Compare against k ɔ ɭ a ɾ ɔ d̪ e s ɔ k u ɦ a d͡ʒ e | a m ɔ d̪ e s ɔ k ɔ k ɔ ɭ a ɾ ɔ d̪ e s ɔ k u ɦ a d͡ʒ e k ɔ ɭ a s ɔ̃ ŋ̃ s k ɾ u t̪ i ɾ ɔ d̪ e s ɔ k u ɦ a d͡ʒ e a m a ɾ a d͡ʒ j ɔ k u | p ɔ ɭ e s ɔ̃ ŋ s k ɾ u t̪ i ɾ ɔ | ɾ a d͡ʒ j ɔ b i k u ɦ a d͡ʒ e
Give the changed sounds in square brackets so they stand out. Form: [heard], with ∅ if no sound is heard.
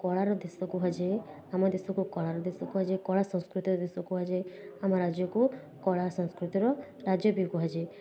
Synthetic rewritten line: k ɔ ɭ a ɾ ɔ d̪ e s ɔ k u ɦ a d͡ʒ e | a m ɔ d̪ e s ɔ k [u] k ɔ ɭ a ɾ ɔ d̪ e s ɔ k u ɦ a d͡ʒ e k ɔ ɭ a s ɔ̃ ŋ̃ s k ɾ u t̪ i ɾ ɔ d̪ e s ɔ k u ɦ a d͡ʒ e a m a ɾ a d͡ʒ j ɔ k u | [k] ɔ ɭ [a] s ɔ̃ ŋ s k ɾ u t̪ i ɾ ɔ | ɾ a d͡ʒ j ɔ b i k u ɦ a d͡ʒ e